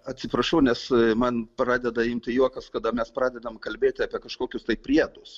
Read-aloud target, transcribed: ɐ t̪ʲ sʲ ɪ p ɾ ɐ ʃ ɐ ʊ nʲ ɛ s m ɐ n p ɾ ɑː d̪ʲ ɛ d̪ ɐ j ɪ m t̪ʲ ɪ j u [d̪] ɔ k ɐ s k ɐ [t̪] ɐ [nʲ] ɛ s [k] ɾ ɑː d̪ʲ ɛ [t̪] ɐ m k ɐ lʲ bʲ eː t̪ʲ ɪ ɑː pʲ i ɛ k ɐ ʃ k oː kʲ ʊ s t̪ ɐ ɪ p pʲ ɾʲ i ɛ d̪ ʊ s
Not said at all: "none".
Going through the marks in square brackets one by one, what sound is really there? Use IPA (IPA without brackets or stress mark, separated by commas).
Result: none, d̪, mʲ, p, d̪